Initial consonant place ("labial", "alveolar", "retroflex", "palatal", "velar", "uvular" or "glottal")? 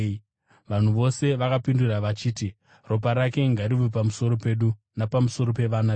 labial